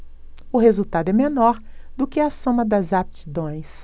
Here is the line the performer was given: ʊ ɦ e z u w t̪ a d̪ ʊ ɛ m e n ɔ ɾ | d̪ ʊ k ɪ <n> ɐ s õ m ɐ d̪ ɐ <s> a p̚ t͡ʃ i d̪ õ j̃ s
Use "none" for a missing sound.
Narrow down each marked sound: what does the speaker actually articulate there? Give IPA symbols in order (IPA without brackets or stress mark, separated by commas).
none, z